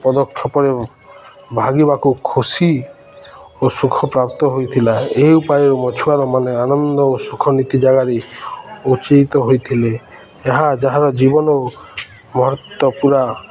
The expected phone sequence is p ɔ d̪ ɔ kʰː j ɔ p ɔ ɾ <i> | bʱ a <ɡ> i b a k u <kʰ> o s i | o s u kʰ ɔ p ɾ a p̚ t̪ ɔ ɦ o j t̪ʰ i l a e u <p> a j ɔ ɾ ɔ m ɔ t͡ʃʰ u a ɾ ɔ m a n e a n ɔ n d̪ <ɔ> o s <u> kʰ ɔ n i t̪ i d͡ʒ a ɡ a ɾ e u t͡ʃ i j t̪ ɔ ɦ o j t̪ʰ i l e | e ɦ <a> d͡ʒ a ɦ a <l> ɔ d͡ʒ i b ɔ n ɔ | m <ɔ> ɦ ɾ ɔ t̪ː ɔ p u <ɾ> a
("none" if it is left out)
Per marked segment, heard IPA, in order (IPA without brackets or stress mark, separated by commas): e, ɡ, kʰ, p, ɔ, u, a, ɾ, ɔ, ɾ